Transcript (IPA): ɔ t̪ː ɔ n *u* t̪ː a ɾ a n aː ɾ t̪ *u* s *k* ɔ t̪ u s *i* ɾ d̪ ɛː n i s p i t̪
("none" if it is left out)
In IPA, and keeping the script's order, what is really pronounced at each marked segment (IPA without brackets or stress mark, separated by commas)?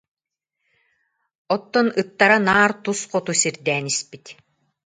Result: ɯ, u, q, i